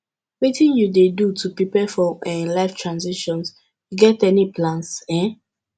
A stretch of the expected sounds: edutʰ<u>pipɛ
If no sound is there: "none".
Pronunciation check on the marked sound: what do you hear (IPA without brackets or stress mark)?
u